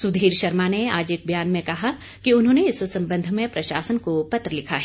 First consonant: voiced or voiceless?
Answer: voiceless